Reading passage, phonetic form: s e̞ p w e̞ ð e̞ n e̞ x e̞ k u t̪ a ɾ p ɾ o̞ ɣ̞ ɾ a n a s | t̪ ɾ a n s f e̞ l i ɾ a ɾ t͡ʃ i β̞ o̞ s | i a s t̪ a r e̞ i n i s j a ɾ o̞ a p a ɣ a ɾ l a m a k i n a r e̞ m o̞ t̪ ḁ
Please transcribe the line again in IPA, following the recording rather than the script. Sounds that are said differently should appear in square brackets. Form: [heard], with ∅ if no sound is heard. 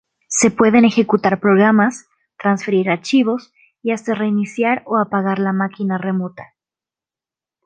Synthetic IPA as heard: s e̞ p w e̞ ð e̞ n e̞ x e̞ k u t̪ a ɾ p ɾ o̞ ɣ̞ ɾ a [m] a s | t̪ ɾ a n s f e̞ [ɾ] i ɾ a ɾ t͡ʃ i β̞ o̞ s | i a s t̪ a r e̞ i n i s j a ɾ o̞ a p a ɣ a ɾ l a m a k i n a r e̞ m o̞ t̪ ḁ